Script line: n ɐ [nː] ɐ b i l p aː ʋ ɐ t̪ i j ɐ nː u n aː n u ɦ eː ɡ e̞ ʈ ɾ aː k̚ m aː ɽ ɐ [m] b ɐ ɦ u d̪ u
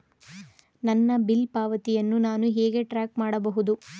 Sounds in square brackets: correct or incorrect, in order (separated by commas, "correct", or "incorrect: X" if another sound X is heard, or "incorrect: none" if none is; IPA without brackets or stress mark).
correct, incorrect: none